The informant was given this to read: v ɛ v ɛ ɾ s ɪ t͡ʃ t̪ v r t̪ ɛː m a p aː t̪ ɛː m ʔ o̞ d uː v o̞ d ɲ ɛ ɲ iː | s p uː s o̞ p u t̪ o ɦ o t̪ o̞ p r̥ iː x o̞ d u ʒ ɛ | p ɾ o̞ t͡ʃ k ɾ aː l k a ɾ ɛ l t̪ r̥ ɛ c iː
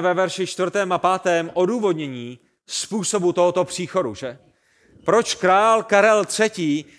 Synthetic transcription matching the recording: v ɛ v ɛ ɾ ʃ ɪ t͡ʃ t̪ v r t̪ ɛː m a p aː t̪ ɛː m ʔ o̞ d uː v o̞ d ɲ ɛ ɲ iː | s p uː s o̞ b u t̪ o ɦ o t̪ o̞ p r̥ iː x o̞ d u ʒ ɛ | p ɾ o̞ t͡ʃ k ɾ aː l k a ɾ ɛ l t̪ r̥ ɛ c iː